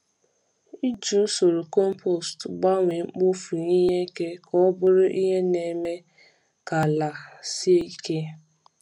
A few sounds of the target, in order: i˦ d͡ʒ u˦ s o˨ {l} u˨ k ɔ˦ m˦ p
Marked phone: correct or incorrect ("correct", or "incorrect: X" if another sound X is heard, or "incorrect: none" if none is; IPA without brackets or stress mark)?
incorrect: ɾ